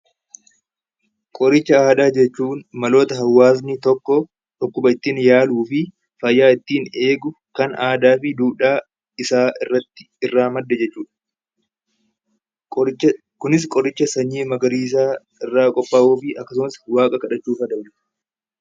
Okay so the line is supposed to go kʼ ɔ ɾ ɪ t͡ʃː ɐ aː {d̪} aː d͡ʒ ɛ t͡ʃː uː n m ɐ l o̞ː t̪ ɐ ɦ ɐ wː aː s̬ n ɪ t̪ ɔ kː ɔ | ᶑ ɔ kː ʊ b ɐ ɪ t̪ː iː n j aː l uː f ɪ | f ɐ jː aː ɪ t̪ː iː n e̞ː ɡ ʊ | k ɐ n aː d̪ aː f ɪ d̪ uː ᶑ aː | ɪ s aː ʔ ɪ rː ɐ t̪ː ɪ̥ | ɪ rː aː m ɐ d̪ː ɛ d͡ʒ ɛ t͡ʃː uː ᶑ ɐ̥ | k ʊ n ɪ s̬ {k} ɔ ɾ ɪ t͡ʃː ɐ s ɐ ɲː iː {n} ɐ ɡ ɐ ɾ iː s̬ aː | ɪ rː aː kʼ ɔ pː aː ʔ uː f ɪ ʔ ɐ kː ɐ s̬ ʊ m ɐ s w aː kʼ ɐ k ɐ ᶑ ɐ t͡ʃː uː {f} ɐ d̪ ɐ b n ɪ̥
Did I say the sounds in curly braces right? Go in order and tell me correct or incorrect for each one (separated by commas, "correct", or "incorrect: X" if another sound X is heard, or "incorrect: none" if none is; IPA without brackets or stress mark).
correct, incorrect: kʼ, incorrect: m, correct